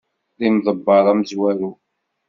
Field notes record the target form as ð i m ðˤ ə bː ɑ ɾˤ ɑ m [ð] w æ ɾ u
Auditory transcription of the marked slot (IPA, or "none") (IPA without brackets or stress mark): z